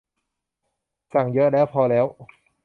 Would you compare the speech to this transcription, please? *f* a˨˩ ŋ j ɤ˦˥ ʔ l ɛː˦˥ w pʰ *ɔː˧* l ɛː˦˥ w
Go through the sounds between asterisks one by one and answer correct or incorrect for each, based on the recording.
incorrect: s, correct

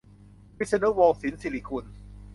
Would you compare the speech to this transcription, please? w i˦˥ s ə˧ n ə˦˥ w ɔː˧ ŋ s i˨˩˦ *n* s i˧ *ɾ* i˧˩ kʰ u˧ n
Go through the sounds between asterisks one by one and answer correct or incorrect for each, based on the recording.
correct, incorrect: l

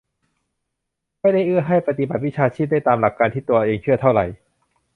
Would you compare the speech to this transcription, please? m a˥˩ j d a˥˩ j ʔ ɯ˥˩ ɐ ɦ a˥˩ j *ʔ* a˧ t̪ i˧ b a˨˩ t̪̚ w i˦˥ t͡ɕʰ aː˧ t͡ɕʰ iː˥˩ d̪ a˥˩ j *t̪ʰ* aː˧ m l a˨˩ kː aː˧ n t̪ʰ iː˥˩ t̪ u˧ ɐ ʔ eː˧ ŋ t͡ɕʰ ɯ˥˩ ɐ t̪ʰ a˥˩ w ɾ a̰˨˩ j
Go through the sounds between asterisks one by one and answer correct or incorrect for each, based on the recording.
incorrect: p, incorrect: t̪

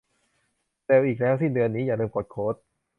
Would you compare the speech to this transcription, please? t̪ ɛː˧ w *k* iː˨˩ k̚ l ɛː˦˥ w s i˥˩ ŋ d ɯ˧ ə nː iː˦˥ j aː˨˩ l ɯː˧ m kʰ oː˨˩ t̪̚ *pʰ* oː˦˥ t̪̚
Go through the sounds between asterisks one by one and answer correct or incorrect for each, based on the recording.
incorrect: ʔ, incorrect: kʰ

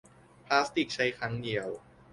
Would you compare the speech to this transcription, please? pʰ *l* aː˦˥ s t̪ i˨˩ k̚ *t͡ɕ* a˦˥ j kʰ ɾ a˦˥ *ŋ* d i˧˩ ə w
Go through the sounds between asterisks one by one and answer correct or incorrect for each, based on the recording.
correct, incorrect: t͡ɕʰ, correct

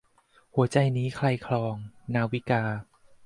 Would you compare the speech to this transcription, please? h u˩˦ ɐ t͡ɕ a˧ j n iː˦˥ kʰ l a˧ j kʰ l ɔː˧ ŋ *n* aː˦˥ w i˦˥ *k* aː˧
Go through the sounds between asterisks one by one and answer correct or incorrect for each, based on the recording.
correct, correct

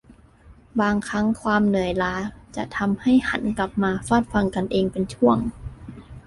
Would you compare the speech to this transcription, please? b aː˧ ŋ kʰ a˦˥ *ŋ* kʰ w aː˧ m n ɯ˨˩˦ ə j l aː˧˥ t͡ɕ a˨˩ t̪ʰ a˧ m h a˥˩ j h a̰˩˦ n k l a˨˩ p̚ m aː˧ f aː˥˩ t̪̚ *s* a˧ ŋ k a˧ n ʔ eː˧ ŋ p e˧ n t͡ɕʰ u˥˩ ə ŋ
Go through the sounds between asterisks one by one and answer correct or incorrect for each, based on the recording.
correct, incorrect: f

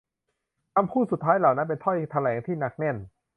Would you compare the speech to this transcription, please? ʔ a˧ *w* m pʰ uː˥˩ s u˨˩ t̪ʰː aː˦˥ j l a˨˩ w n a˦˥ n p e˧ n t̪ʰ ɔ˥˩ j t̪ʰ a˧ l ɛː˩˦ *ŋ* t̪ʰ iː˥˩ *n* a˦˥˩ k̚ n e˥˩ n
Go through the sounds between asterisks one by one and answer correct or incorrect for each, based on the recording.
incorrect: none, correct, correct

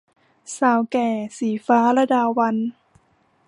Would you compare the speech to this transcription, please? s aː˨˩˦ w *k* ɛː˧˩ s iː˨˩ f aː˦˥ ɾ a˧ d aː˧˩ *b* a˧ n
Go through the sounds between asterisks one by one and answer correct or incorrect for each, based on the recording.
correct, incorrect: w

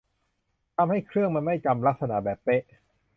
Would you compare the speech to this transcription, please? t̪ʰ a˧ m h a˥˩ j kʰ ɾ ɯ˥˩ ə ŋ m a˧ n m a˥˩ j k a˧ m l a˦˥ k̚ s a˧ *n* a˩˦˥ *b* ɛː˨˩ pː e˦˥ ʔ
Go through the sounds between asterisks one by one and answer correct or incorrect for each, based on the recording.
correct, correct

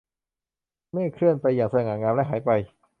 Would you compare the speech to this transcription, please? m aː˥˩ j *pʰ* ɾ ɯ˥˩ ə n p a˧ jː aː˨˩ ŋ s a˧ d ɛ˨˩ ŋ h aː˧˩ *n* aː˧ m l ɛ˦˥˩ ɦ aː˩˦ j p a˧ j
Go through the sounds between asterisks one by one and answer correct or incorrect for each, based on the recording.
incorrect: kʰ, incorrect: ŋ

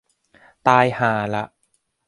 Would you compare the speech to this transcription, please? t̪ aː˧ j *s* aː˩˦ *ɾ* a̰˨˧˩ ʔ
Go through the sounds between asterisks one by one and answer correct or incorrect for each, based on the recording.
incorrect: h, incorrect: l

